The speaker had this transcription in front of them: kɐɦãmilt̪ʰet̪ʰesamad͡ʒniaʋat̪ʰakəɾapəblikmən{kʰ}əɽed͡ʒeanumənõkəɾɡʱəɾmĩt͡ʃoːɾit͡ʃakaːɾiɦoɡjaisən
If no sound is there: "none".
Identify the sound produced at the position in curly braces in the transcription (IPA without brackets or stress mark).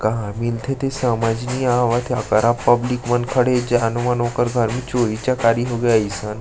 kʰ